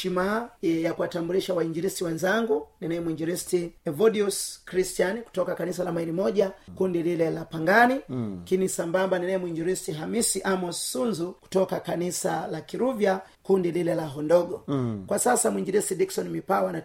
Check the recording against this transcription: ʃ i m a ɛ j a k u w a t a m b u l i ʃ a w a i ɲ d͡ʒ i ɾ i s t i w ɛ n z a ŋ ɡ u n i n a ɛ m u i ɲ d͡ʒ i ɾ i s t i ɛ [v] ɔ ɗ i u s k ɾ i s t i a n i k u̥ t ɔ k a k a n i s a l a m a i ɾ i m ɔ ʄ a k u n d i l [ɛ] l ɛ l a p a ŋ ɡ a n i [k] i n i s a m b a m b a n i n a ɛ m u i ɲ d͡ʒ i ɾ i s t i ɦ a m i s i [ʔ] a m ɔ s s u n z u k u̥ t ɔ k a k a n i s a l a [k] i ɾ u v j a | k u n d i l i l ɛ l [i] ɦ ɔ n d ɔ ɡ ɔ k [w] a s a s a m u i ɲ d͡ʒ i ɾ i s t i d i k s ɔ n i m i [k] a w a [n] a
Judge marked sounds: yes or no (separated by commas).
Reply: yes, no, yes, yes, yes, no, yes, no, yes